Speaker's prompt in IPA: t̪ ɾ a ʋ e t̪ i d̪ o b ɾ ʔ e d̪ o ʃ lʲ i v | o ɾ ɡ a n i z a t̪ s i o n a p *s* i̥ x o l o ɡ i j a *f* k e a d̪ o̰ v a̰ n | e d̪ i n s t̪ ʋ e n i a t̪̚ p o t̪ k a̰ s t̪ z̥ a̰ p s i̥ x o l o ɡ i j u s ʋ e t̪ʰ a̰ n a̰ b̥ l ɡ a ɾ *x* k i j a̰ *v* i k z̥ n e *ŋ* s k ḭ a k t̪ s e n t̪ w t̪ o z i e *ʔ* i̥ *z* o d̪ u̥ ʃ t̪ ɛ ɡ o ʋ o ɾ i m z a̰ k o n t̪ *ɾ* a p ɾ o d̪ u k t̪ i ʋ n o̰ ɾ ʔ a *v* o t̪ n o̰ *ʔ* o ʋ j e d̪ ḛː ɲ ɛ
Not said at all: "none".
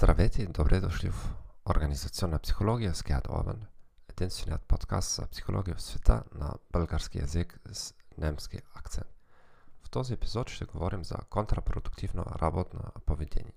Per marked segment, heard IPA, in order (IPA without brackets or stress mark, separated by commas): s, s, s, z, m, p, z, ɾ, b, p